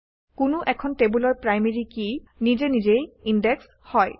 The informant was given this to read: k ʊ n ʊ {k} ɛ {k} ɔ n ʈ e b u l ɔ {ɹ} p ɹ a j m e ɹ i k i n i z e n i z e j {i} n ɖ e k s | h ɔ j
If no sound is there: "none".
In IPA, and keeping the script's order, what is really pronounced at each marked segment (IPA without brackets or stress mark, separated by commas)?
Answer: ʔ, kʰ, ɹ, i